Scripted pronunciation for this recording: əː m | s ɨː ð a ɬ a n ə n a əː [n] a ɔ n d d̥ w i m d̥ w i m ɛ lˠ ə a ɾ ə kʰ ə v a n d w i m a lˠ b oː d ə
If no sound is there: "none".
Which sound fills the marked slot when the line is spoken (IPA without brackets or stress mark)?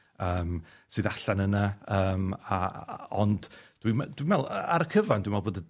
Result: m